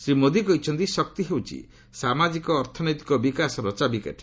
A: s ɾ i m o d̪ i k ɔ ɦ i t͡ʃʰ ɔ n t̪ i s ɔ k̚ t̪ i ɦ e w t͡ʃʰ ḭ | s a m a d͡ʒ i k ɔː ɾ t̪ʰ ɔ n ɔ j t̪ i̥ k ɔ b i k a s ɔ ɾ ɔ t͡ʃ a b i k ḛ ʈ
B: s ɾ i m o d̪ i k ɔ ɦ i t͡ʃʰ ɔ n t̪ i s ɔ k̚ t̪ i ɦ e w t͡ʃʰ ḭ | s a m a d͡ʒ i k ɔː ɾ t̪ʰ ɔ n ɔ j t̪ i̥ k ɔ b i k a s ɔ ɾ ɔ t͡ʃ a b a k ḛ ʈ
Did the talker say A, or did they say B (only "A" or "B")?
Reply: A